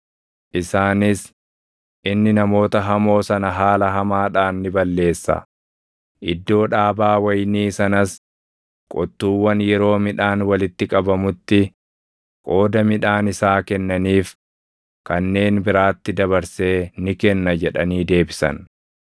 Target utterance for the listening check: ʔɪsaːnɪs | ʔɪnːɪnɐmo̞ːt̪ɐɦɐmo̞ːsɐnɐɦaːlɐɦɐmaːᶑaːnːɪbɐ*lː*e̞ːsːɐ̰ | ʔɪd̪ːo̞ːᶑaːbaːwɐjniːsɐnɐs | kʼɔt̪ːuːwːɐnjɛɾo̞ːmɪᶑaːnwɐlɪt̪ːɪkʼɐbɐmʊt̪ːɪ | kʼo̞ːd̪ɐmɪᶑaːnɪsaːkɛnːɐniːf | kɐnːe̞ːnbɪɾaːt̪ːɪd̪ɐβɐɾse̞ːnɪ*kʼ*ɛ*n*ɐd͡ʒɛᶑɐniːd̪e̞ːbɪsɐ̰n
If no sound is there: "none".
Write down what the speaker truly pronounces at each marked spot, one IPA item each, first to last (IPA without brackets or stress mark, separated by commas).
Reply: lː, k, nː